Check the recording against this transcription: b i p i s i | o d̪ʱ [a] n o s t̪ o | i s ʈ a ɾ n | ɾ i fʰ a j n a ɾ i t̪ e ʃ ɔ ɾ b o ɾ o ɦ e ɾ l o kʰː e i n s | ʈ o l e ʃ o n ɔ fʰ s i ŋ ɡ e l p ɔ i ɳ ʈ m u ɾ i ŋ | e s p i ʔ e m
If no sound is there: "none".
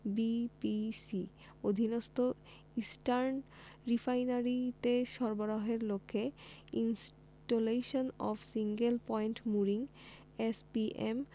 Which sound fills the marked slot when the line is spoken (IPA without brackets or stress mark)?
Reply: i